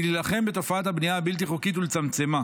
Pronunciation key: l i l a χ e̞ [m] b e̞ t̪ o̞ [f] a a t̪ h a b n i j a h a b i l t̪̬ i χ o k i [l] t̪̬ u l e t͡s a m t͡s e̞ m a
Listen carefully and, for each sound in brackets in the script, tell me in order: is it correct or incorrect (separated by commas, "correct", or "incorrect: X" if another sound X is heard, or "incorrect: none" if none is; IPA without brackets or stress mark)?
correct, correct, incorrect: none